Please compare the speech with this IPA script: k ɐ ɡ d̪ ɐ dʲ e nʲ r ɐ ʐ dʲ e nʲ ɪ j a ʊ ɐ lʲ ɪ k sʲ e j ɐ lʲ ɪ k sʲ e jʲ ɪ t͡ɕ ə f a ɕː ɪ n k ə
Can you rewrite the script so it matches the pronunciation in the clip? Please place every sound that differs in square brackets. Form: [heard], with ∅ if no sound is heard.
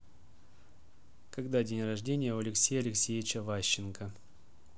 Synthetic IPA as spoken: k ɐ ɡ d̪ [a] dʲ e nʲ r ɐ ʐ dʲ e nʲ ɪ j [ə] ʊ ɐ lʲ ɪ k sʲ e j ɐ lʲ ɪ k sʲ e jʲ ɪ t͡ɕ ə [v] a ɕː ɪ n k ə